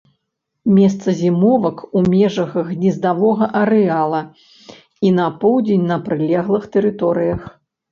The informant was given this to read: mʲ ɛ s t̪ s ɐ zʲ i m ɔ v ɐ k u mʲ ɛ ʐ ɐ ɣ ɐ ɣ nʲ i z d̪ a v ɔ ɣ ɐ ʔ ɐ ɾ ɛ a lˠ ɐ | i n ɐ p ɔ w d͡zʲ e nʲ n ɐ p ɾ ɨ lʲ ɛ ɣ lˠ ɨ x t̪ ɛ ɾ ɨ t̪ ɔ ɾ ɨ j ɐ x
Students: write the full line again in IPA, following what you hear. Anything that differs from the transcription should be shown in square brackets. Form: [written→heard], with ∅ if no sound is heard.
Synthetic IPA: mʲ ɛ s t̪ s ɐ zʲ i m ɔ v ɐ k u mʲ ɛ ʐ ɐ ɣ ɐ ɣ nʲ i z d̪ a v ɔ ɣ ɐ ʔ ɐ ɾ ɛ a lˠ ɐ | i n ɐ p ɔ w d͡zʲ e nʲ n ɐ p ɾ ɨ lʲ ɛ ɣ lˠ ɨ x t̪ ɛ ɾ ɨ t̪ ɔ ɾ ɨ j ɐ x

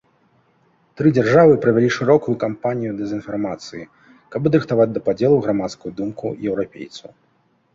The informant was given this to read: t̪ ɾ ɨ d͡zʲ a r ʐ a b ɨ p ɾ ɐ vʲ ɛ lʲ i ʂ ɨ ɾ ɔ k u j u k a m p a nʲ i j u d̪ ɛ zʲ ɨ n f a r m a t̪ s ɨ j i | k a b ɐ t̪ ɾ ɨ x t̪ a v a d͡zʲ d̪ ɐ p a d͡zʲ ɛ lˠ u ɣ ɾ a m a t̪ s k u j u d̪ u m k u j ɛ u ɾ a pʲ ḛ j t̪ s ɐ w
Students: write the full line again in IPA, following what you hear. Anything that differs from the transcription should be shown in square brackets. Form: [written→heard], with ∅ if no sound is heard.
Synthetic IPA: t̪ ɾ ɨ d͡zʲ a r ʐ a [b→v] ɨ p ɾ ɐ vʲ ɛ lʲ i ʂ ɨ ɾ ɔ k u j u k a m p a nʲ i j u d̪ ɛ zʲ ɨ n f a r m a t̪ s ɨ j i | k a b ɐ [t̪→d̪] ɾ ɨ x t̪ a v a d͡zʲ d̪ ɐ p a d͡zʲ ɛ lˠ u ɣ ɾ a m a t̪ s k u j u d̪ u m k u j ɛ [u→w] ɾ a pʲ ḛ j t̪ s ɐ w

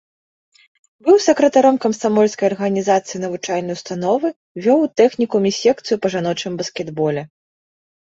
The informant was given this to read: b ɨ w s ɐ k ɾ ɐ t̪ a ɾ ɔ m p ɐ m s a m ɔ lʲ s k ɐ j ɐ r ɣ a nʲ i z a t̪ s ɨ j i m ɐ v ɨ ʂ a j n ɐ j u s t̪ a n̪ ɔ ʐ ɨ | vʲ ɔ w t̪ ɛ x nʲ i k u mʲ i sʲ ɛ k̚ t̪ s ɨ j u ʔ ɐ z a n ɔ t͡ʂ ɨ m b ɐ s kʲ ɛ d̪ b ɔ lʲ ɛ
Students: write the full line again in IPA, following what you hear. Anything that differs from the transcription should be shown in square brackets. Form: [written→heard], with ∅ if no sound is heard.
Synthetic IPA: b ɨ w s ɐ k ɾ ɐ t̪ a ɾ ɔ m [p→k] ɐ m s a m ɔ lʲ s k ɐ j ɐ r ɣ [a→ɐ] nʲ i z a t̪ s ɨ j i [m→n] ɐ v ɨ [ʂ→t͡ʂ] a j n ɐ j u s t̪ a n̪ ɔ [ʐ→v] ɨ | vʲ ɔ w t̪ ɛ x nʲ i k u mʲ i sʲ ɛ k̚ t̪ s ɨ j u [ʔ→p] ɐ [z→ʐ] a n ɔ t͡ʂ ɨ m b ɐ s kʲ ɛ d̪ b ɔ lʲ ɛ

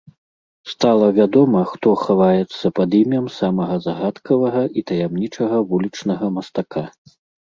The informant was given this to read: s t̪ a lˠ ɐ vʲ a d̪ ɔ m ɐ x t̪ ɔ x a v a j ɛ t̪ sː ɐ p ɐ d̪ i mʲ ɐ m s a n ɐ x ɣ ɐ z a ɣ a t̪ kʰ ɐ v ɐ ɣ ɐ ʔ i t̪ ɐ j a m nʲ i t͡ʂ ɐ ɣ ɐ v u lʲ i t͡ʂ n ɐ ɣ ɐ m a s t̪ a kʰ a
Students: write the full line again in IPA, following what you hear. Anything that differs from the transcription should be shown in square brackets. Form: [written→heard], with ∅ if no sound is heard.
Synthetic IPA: s t̪ a lˠ ɐ vʲ a d̪ ɔ m ɐ x t̪ ɔ x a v a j ɛ t̪ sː ɐ p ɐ d̪ i mʲ ɐ m s a [n→m] ɐ [x→∅] ɣ ɐ z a ɣ a t̪ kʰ ɐ v ɐ ɣ ɐ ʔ i t̪ ɐ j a m nʲ i t͡ʂ ɐ ɣ ɐ v u lʲ i t͡ʂ n ɐ ɣ ɐ m [a→ɐ] s t̪ a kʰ a

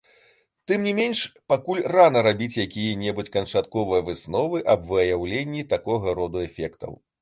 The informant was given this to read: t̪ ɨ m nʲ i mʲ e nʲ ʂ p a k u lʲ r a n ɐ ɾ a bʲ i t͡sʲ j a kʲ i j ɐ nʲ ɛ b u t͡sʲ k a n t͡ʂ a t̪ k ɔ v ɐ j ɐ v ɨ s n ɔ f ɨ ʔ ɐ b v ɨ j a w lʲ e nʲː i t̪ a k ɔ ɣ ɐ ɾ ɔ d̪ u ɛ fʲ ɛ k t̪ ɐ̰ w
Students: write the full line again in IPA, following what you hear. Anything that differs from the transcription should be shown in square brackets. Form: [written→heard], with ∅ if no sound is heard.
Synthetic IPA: t̪ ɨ m nʲ i mʲ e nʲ ʂ p a k u lʲ r a n ɐ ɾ a bʲ i t͡sʲ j a kʲ i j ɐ nʲ ɛ b u t͡sʲ k [a→ɐ] n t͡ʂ a t̪ k ɔ v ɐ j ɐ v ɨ s n ɔ [f→v] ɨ ʔ ɐ b v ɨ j a w lʲ e nʲː i t̪ a k ɔ ɣ ɐ ɾ ɔ d̪ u ɛ fʲ ɛ k t̪ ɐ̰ w

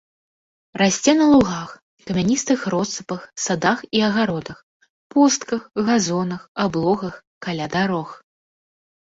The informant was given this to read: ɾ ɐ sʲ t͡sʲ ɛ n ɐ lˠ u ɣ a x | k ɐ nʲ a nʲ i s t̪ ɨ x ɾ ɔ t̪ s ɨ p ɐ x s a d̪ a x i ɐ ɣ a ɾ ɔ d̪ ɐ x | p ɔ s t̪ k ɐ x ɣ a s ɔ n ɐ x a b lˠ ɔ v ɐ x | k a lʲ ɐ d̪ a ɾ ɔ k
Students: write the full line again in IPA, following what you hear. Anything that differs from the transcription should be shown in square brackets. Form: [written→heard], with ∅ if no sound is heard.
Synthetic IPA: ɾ [ɐ→a] sʲ t͡sʲ ɛ n ɐ lˠ u ɣ a x | k ɐ [nʲ→mʲ] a nʲ i s t̪ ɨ x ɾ ɔ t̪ s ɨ p ɐ x s a d̪ a x i ɐ ɣ a ɾ ɔ d̪ ɐ x | p ɔ s t̪ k ɐ x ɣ a [s→z] ɔ n ɐ x a b lˠ ɔ [v→ɣ] ɐ x | k a lʲ [ɐ→a] d̪ a ɾ ɔ [k→x]

